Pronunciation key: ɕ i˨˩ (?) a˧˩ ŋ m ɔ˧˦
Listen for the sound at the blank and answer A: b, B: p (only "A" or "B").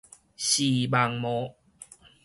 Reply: A